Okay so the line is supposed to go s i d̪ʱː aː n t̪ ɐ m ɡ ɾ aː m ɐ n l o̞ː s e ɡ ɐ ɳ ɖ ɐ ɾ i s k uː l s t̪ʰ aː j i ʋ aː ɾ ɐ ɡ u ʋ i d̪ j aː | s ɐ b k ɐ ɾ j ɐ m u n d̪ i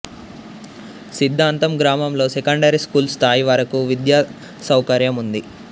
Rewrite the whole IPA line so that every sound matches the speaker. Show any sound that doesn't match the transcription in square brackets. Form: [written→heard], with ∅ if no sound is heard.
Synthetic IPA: s i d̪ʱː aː n t̪ ɐ m ɡ ɾ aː m ɐ [n→m] l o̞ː s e [ɡ→k] ɐ ɳ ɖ ɐ ɾ i s k uː l s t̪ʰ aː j i ʋ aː ɾ ɐ [ɡ→k] u ʋ i d̪ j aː | s ɐ [b→w] k ɐ ɾ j ɐ m u n d̪ i

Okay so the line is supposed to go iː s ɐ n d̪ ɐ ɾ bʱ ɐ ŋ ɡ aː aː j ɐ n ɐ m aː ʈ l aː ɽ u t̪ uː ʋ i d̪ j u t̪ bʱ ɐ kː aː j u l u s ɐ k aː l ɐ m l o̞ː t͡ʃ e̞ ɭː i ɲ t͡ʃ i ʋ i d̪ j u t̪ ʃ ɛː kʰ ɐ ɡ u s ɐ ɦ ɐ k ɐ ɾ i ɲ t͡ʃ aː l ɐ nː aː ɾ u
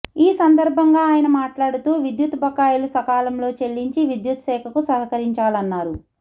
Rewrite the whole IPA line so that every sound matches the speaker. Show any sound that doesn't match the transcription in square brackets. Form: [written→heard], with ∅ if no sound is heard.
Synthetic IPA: iː s ɐ n d̪ ɐ ɾ bʱ ɐ ŋ ɡ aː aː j ɐ n ɐ m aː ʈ l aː ɽ u t̪ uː ʋ i d̪ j u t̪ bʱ ɐ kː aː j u l u s ɐ k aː l ɐ m l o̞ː t͡ʃ e̞ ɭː i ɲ t͡ʃ i ʋ i d̪ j u t̪ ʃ ɛː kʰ ɐ [ɡ→k] u s ɐ ɦ ɐ k ɐ ɾ i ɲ t͡ʃ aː l ɐ nː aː ɾ u

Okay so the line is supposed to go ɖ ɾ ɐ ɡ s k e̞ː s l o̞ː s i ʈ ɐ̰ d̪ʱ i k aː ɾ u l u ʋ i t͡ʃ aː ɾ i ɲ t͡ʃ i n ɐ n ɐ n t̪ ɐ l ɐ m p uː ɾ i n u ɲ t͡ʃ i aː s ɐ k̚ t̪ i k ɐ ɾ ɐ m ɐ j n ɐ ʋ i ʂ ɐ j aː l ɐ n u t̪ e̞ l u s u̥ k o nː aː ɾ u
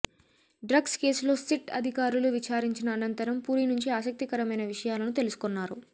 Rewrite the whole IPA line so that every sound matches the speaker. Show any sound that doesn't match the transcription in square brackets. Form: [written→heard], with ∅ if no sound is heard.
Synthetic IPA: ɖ ɾ ɐ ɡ s k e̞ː s l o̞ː s i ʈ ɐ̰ d̪ʱ i k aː ɾ u l u ʋ i t͡ʃ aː ɾ i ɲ t͡ʃ i n [ɐ→ɐː] n ɐ n t̪ ɐ [l→ɾ] ɐ m p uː ɾ i n u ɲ t͡ʃ i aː s ɐ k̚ t̪ i k ɐ ɾ ɐ m ɐ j n ɐ ʋ i ʂ ɐ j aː l ɐ n u t̪ e̞ l u s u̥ k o nː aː ɾ u

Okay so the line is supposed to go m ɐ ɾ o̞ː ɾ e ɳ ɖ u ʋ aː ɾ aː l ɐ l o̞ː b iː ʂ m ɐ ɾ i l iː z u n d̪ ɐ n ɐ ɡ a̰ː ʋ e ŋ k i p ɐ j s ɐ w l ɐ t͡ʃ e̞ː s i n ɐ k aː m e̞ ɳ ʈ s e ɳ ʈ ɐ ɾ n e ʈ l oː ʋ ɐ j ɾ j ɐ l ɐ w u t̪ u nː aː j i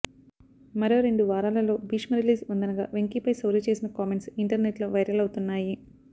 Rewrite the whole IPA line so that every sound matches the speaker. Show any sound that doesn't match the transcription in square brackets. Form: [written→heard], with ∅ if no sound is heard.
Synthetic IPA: m ɐ ɾ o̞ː ɾ e ɳ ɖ u ʋ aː ɾ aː l ɐ l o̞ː b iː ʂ m ɐ ɾ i l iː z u n d̪ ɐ n ɐ ɡ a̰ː ʋ e ŋ k i p ɐ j s ɐ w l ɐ t͡ʃ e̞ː s i n ɐ k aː m e̞ ɳ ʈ s [e→i] ɳ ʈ ɐ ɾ n e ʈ l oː ʋ ɐ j ɾ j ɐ l ɐ w u t̪ u nː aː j i

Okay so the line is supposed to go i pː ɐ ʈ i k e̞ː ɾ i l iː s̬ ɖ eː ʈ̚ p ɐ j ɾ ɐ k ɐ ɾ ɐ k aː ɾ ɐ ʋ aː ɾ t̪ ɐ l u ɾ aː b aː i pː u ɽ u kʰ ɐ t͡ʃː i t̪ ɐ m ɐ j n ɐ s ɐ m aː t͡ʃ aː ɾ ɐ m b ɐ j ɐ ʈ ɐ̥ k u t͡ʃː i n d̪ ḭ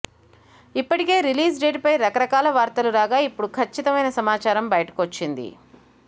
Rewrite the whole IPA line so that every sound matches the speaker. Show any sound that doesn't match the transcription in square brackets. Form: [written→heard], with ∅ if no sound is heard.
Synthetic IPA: i pː ɐ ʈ i k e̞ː ɾ i l iː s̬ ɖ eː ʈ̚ p ɐ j ɾ ɐ k ɐ ɾ ɐ k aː [ɾ→l] ɐ ʋ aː ɾ t̪ ɐ l u ɾ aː [b→ɡ] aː i pː u ɽ u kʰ ɐ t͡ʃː i t̪ ɐ m ɐ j n ɐ s ɐ m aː t͡ʃ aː ɾ ɐ m b ɐ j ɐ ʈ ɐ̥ k [u→o] t͡ʃː i n d̪ ḭ

